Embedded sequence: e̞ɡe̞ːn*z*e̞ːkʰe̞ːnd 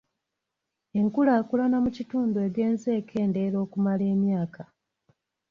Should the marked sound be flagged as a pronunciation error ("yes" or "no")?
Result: no